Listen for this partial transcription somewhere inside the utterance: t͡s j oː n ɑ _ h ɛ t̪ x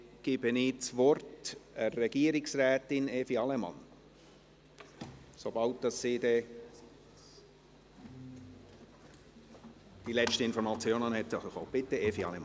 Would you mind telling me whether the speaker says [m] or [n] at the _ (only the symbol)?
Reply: n